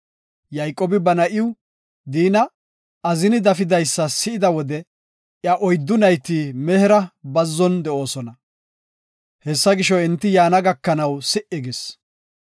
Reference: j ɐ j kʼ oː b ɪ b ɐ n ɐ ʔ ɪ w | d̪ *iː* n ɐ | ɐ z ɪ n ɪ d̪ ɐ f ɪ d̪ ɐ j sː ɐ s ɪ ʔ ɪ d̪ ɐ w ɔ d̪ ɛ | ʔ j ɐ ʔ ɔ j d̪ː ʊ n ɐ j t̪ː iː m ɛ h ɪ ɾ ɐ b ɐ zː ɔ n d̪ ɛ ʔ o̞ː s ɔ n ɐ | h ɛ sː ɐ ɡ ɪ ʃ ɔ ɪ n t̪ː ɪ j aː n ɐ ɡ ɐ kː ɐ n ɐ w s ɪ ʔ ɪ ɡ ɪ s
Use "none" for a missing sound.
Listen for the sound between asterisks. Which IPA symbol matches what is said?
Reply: iː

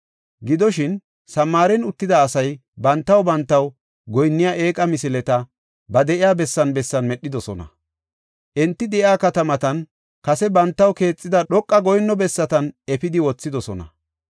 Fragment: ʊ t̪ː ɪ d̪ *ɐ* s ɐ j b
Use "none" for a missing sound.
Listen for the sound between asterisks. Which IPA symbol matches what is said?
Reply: ɐː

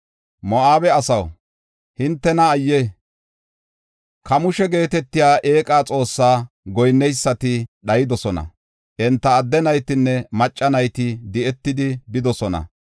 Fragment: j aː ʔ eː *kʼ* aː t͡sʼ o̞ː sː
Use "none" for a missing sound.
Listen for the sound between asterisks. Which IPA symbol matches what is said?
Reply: kʼ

